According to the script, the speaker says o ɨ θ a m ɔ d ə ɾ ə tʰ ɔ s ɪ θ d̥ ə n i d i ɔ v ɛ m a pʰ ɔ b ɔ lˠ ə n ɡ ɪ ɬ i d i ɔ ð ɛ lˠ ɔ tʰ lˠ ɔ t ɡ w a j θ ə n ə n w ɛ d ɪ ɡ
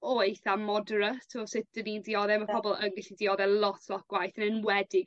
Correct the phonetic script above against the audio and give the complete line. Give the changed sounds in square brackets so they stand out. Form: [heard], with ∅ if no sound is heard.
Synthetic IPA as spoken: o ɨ θ a m ɔ d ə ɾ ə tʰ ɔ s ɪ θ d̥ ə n i d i ɔ [ð] ɛ m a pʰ ɔ b ɔ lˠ ə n ɡ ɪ ɬ i d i ɔ ð ɛ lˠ ɔ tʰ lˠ ɔ t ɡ w a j θ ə n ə n w ɛ d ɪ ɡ

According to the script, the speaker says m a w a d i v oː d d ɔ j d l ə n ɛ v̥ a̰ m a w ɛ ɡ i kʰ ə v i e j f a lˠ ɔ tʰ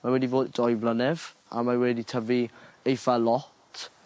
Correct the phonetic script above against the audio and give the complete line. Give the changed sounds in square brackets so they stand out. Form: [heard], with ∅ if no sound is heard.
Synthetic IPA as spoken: m a w [ɛ] d i v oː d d ɔ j [b] l ə n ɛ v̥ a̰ m a w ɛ [d] i [tʰ] ə v i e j f a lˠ ɔ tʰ

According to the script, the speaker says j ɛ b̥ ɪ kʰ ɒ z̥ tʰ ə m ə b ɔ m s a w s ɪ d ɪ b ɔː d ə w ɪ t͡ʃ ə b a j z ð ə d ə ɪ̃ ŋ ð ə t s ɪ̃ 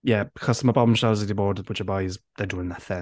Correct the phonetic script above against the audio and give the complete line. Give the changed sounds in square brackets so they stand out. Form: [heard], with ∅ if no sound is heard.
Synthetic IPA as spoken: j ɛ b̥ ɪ kʰ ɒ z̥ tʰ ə m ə b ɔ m [ʃ] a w [z] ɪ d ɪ b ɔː d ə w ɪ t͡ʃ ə b a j z ð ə d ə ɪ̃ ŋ ð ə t [θ] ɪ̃

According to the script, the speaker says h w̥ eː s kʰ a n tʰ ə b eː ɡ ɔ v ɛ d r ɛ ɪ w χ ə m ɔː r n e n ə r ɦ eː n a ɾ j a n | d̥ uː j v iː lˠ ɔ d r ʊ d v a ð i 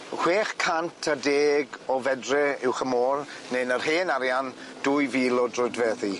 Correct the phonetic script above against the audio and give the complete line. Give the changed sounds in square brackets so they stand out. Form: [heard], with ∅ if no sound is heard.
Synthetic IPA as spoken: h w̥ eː [χ] kʰ a n tʰ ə [d] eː ɡ ɔ v ɛ d r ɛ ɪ w χ ə m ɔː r n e n ə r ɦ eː n a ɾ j a n | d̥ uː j v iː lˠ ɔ d r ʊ d v [ɛ] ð i

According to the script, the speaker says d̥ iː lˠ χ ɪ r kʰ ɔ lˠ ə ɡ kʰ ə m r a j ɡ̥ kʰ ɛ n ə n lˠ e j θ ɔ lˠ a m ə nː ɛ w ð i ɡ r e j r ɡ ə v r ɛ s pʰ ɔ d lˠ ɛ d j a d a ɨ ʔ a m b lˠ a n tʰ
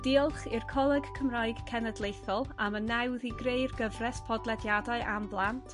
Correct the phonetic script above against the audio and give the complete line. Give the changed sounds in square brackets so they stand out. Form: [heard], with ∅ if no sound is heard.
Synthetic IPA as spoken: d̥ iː lˠ χ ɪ r kʰ ɔ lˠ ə ɡ kʰ ə m r a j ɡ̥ kʰ ɛ n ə [d] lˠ e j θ ɔ lˠ a m ə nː ɛ w ð i ɡ r e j r ɡ ə v r ɛ s pʰ ɔ d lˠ ɛ d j a d a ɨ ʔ a m b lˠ a n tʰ

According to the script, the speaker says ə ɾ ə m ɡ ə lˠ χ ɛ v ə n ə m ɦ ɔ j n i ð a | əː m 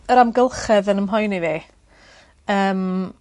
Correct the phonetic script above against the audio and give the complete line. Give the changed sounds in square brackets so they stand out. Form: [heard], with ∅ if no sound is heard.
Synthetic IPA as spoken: ə ɾ [a] m ɡ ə lˠ χ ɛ [ð] ə n ə m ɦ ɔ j n i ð [i] | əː m

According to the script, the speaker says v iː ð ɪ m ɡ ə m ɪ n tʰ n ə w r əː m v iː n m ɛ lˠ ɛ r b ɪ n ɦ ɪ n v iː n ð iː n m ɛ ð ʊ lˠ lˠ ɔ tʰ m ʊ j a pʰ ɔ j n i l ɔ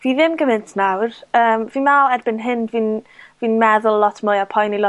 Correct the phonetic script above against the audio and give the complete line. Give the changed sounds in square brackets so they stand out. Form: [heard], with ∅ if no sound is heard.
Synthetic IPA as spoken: v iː ð ɪ m ɡ ə m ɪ n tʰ n [a] w r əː m v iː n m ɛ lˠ ɛ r b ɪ n ɦ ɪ n v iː n [v] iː n m ɛ ð ʊ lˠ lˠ ɔ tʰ m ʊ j a pʰ ɔ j n i l ɔ

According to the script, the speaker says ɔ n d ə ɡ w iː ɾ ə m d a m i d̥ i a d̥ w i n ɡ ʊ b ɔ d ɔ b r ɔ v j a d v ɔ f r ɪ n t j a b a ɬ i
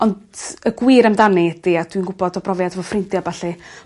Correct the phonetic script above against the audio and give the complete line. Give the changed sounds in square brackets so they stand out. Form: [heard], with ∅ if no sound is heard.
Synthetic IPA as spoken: ɔ n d ə ɡ w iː ɾ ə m d a [n] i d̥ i a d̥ w i n ɡ ʊ b ɔ d ɔ b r ɔ v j a d v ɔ f r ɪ n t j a b a ɬ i

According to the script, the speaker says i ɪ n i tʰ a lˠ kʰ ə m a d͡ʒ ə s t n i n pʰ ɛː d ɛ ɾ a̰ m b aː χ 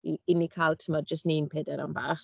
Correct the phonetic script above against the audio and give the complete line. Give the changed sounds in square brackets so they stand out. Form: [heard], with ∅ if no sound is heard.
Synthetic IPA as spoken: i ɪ n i [kʰ] a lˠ [tʰ] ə m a d͡ʒ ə s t n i n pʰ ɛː d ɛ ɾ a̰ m b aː χ

